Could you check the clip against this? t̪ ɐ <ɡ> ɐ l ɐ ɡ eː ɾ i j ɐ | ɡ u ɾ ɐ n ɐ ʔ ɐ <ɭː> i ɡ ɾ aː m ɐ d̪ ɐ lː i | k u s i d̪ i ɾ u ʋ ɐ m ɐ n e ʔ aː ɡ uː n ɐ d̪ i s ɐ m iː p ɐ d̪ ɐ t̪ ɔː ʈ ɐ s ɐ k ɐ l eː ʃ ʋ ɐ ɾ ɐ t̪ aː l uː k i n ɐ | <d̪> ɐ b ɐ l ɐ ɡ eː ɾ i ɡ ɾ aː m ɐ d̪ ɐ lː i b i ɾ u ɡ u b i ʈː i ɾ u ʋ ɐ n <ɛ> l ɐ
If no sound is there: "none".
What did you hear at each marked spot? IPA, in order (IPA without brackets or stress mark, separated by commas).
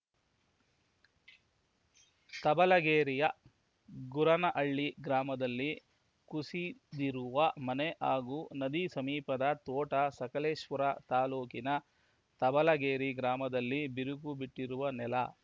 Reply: b, ɭː, t̪, ɛ